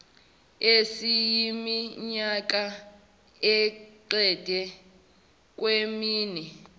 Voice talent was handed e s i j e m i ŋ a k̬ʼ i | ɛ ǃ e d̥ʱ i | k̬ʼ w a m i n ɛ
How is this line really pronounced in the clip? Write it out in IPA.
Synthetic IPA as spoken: e s i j i m i ɲ a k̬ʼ a | ɛ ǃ ɛ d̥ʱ ɛ | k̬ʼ w e m iː n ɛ